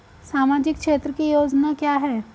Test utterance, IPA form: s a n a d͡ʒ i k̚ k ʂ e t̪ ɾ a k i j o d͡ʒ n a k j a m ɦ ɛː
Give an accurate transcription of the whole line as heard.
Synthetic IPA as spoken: s a m a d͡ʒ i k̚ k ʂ e t̪ ɾ ə k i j o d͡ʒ n a k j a ɦ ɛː